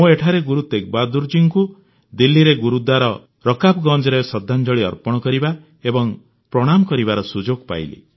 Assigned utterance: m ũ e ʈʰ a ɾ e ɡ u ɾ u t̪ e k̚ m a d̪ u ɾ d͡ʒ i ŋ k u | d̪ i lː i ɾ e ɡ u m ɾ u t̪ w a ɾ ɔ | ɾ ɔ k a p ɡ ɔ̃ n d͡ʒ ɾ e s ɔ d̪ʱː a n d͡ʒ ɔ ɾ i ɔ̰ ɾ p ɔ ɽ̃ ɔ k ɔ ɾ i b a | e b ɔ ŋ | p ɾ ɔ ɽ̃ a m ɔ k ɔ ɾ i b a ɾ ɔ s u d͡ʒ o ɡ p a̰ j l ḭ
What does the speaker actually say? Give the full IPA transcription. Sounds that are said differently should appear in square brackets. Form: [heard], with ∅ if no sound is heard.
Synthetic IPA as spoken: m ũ e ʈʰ a ɾ e ɡ u ɾ u t̪ e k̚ [b] a d̪ u ɾ d͡ʒ i ŋ k u | d̪ i lː i ɾ e ɡ u [∅] ɾ u [d̪] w a ɾ ɔ | ɾ ɔ k a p ɡ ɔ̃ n d͡ʒ ɾ e s ɔ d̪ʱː a n d͡ʒ ɔ [ɭ] i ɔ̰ ɾ p ɔ ɽ̃ ɔ k ɔ ɾ i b a | e b ɔ ŋ | p ɾ ɔ ɽ̃ a m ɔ k ɔ ɾ i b a ɾ ɔ s u d͡ʒ o ɡ p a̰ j l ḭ